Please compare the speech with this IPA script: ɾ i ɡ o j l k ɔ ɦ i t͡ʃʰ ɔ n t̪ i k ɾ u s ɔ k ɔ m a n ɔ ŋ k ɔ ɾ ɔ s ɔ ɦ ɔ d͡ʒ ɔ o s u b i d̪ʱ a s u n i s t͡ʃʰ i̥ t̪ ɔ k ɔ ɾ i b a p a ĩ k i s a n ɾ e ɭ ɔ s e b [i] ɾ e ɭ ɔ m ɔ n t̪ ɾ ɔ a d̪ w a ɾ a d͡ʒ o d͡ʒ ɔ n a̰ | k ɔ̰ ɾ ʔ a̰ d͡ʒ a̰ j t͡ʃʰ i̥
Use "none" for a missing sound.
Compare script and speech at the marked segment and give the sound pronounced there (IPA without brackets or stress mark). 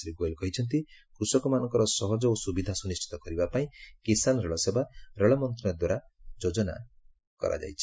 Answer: a